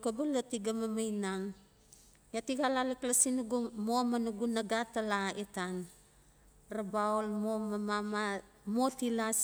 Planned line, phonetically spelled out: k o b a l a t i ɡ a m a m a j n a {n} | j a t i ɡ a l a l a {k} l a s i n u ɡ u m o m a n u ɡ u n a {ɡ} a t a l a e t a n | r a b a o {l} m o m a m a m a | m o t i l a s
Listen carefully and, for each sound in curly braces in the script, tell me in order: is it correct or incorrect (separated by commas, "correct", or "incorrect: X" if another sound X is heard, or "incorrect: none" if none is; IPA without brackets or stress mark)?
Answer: incorrect: ŋ, correct, correct, correct